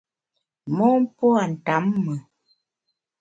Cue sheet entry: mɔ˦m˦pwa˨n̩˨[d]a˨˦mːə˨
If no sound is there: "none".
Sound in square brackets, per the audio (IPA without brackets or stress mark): t